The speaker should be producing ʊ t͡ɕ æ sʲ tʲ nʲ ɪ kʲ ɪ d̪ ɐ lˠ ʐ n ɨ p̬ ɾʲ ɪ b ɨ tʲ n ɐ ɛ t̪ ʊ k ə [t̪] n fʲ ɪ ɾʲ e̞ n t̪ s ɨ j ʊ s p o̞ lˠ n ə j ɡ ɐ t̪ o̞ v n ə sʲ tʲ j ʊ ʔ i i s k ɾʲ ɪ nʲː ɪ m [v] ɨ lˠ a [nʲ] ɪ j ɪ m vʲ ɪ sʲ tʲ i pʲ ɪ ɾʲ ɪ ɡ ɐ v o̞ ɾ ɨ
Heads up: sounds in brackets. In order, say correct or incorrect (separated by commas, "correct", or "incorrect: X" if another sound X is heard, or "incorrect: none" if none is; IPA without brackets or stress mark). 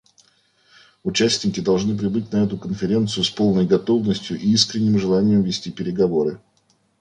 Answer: incorrect: none, incorrect: ʐ, correct